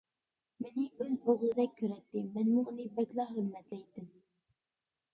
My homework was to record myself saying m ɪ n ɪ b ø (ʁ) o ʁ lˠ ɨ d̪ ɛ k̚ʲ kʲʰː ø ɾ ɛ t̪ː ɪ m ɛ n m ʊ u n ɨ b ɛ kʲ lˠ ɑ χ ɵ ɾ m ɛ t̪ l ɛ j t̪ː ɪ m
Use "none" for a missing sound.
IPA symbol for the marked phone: z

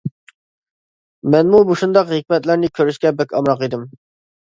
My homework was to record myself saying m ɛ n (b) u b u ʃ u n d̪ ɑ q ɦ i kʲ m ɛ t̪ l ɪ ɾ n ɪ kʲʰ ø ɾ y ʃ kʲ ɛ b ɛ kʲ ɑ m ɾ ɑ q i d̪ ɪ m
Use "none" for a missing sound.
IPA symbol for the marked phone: m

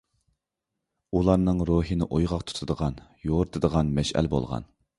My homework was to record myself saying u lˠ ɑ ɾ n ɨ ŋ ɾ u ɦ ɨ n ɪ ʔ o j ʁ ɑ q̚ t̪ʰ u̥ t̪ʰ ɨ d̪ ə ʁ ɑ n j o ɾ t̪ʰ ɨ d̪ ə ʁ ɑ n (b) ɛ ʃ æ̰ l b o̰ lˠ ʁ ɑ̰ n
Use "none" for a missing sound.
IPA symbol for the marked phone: m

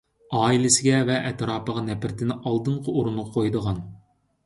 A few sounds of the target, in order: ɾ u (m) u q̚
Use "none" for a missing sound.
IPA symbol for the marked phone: n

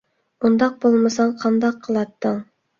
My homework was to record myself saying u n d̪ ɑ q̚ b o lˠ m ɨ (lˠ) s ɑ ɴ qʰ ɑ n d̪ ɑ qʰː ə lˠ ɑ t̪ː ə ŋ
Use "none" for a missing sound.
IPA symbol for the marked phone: none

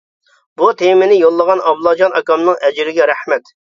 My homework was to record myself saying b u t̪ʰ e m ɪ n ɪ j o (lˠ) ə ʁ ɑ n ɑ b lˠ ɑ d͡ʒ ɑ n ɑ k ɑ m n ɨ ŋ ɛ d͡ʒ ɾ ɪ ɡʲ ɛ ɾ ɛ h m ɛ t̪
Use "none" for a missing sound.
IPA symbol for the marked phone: lˠː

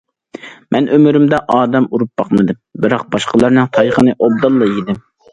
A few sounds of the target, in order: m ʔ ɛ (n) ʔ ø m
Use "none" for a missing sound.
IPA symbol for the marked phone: n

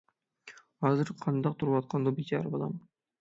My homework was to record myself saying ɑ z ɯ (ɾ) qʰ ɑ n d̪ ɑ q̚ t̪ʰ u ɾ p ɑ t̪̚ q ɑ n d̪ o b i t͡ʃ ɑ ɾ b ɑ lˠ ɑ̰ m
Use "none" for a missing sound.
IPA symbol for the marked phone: ɾ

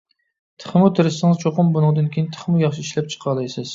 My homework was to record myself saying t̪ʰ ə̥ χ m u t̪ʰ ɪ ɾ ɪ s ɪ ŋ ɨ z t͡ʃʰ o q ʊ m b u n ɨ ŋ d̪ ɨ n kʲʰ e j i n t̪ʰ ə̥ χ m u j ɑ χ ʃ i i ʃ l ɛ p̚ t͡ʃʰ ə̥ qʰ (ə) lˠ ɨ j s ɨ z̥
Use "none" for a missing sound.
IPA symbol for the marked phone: ɑ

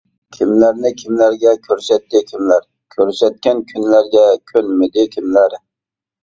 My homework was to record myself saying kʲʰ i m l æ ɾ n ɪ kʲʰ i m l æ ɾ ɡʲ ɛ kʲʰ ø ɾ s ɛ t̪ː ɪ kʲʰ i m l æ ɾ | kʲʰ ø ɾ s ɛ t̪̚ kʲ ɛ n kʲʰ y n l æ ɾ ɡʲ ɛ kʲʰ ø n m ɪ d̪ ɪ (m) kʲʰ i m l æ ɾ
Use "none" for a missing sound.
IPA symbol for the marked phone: none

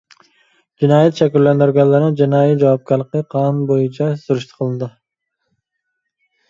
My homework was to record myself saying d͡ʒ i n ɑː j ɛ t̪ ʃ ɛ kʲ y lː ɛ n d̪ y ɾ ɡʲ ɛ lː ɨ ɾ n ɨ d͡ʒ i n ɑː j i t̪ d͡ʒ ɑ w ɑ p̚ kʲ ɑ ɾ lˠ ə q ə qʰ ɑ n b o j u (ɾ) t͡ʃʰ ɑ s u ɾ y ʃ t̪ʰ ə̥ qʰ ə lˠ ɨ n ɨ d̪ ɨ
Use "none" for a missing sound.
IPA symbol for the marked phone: none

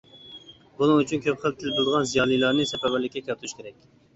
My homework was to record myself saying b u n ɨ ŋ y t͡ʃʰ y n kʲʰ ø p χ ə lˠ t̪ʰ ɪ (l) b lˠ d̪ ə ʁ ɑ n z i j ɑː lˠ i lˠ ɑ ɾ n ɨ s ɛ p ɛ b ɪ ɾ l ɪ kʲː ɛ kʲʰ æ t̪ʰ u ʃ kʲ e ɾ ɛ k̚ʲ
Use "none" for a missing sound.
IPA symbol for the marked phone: l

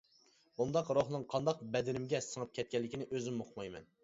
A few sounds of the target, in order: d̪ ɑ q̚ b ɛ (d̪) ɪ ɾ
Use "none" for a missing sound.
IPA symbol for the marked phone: d̪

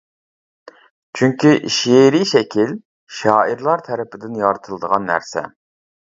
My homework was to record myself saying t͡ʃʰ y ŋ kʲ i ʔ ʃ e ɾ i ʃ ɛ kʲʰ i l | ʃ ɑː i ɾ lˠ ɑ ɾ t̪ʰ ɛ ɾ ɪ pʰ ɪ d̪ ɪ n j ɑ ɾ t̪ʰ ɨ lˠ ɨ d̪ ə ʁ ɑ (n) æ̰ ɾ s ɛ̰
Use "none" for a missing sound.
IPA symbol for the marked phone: nː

